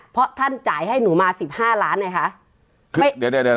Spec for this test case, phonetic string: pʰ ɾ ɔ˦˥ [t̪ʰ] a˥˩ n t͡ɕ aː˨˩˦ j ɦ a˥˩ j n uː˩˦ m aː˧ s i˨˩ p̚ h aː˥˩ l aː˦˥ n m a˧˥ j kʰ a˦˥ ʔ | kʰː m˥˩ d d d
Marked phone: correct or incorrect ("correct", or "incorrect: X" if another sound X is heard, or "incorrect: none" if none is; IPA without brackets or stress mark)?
correct